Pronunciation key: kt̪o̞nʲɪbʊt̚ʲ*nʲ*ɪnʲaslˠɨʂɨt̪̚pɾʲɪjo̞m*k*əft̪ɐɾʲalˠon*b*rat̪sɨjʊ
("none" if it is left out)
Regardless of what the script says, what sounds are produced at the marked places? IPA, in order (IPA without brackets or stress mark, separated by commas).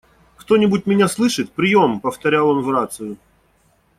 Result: mʲ, p, v